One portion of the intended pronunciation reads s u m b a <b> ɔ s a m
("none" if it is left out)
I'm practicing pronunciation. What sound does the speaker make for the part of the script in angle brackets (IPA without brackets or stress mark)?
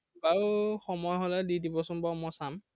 m